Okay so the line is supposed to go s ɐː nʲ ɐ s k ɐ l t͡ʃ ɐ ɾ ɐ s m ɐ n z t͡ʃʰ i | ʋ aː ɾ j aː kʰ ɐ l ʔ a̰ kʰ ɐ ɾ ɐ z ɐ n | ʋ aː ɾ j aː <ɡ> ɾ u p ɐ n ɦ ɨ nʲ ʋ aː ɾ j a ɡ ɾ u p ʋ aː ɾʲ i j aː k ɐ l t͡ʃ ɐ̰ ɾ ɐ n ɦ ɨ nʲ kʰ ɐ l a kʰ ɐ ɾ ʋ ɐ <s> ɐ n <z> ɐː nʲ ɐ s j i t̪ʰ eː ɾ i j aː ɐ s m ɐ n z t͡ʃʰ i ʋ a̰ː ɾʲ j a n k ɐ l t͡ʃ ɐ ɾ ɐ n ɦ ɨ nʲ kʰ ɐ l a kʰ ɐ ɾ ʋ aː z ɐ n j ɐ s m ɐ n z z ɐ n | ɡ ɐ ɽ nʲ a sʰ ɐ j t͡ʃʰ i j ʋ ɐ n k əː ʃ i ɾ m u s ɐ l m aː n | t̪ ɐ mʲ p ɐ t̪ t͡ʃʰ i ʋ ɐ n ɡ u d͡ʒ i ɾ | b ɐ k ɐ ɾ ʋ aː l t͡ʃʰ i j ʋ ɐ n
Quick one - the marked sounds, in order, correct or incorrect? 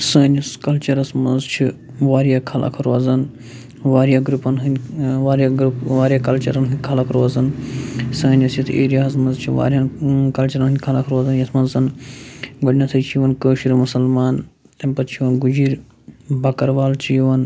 correct, incorrect, incorrect

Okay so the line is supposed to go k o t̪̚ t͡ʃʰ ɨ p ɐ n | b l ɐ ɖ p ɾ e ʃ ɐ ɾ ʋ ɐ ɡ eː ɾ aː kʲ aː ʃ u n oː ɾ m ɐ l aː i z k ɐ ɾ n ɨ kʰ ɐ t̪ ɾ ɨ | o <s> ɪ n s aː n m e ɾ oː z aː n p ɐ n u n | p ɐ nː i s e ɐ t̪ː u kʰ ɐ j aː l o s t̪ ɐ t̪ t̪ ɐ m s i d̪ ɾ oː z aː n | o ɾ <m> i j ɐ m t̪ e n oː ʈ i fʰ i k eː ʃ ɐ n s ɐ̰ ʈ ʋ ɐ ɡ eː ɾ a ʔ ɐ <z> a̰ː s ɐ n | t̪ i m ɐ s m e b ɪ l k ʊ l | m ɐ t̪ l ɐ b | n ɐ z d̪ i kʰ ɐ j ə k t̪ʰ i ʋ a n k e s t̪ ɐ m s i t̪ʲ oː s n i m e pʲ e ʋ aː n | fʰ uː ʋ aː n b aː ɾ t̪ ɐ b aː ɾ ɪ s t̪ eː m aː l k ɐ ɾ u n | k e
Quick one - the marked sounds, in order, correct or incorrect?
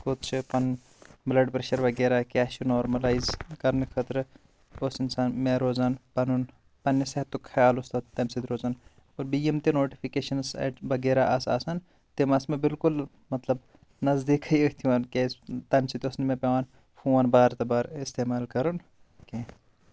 correct, incorrect, incorrect

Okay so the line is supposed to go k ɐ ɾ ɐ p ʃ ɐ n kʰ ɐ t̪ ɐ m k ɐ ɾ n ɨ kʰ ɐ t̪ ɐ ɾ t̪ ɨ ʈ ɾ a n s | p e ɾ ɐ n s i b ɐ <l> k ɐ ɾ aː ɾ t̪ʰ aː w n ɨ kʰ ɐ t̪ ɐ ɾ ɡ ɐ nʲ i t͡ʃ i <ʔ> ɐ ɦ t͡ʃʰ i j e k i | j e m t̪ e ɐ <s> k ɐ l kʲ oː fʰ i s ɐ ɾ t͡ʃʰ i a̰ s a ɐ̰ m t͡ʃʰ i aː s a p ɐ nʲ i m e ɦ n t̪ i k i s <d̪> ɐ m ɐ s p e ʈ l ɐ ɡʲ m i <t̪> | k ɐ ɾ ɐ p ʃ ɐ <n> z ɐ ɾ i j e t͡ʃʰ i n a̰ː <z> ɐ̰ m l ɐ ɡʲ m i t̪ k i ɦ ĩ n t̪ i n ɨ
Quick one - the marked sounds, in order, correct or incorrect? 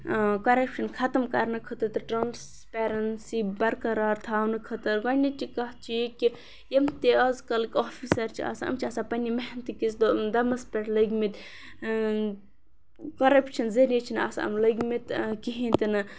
incorrect, incorrect, incorrect, correct, correct, correct, incorrect

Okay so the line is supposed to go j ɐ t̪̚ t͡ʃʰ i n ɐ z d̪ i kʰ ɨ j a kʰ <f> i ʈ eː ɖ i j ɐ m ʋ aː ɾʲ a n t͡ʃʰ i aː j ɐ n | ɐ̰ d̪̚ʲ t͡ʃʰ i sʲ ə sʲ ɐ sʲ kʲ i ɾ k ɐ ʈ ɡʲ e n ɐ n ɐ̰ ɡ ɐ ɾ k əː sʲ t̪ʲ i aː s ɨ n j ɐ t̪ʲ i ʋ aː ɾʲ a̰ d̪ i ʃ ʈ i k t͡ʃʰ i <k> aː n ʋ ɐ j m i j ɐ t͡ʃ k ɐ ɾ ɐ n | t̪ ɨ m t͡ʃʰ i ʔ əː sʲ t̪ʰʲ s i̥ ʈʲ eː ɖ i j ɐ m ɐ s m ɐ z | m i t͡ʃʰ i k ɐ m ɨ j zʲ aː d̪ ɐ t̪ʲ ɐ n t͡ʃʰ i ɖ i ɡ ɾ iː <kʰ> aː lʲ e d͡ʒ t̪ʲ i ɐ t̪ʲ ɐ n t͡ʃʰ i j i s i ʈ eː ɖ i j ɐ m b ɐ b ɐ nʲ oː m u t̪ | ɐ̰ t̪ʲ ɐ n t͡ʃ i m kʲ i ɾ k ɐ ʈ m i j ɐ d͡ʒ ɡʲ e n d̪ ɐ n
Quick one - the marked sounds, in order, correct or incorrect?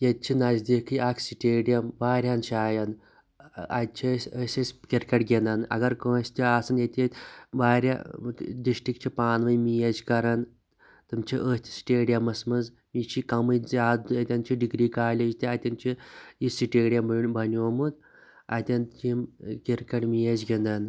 incorrect, incorrect, incorrect

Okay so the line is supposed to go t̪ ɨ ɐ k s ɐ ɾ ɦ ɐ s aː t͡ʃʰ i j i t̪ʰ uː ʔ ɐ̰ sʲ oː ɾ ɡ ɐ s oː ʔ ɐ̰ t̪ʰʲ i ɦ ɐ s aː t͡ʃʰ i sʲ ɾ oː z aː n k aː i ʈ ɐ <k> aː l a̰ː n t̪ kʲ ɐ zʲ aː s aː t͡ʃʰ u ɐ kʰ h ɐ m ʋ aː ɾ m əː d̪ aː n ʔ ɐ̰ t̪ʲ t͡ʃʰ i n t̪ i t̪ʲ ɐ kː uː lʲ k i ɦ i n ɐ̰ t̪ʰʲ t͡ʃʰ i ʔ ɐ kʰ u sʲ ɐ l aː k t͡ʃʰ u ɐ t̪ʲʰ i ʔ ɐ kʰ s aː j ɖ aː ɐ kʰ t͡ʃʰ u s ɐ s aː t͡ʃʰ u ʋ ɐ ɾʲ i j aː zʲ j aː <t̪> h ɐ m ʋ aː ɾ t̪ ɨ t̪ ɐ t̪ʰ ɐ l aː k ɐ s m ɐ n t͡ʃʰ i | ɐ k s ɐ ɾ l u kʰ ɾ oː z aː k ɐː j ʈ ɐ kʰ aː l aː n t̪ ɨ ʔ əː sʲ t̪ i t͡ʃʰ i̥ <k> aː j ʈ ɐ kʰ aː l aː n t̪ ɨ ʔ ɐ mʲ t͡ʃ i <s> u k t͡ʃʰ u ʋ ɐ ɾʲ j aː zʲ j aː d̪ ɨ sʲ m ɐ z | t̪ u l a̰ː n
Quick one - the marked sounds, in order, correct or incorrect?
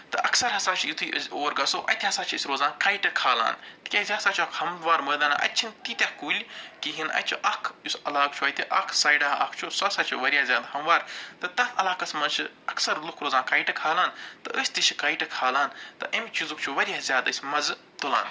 incorrect, incorrect, correct, incorrect

